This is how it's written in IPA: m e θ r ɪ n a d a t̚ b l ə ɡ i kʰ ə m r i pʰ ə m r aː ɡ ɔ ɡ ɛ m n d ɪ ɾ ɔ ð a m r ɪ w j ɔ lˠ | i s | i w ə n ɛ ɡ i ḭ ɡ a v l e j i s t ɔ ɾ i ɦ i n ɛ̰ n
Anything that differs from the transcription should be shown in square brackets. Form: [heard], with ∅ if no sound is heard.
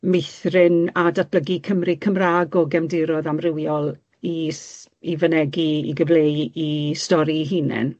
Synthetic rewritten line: m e θ r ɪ n a d a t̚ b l ə ɡ i kʰ ə m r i [kʰ] ə m r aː ɡ ɔ ɡ ɛ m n d ɪ ɾ ɔ ð a m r ɪ w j ɔ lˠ | i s | i [v] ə n ɛ ɡ i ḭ ɡ [ə] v l e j i s t ɔ ɾ i ɦ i n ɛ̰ n